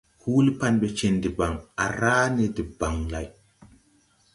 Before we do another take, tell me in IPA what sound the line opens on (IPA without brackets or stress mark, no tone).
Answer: h